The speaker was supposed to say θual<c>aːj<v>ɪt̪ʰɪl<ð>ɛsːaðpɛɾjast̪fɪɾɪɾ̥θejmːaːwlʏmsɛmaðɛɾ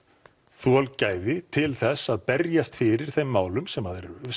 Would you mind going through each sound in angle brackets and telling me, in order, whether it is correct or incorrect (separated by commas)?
correct, incorrect, incorrect